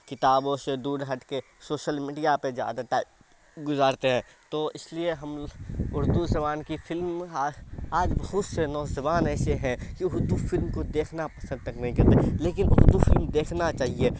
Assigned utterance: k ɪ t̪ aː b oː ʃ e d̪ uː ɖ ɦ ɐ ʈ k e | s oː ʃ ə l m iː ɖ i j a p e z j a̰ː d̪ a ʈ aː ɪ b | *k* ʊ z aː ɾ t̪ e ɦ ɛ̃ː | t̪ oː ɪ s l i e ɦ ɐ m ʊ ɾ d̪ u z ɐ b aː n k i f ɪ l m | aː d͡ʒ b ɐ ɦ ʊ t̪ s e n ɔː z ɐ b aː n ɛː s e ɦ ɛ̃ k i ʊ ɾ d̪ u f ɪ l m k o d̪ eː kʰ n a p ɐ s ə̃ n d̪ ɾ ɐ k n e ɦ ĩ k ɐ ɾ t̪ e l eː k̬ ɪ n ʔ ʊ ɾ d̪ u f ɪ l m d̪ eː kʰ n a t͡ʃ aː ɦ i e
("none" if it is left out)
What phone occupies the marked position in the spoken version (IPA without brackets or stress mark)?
ɡ